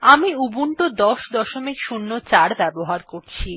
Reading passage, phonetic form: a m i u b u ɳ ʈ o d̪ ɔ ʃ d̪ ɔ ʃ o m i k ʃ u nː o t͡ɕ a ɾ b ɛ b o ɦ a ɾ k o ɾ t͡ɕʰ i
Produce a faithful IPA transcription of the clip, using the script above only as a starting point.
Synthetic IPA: a m i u b u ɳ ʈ o d̪ ɔ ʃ d̪ ɔ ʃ o m i k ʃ u nː o t͡ɕ a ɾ b ɛ b o ɦ a ɾ k o ɾ t͡ɕʰ i